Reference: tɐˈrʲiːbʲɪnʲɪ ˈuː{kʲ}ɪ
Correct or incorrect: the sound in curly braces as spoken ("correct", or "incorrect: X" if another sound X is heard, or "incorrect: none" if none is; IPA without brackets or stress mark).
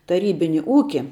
correct